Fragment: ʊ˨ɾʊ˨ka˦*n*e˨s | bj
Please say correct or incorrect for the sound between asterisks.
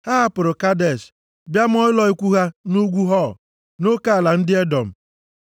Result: incorrect